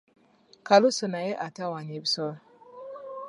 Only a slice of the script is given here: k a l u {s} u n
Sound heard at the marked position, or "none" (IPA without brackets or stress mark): s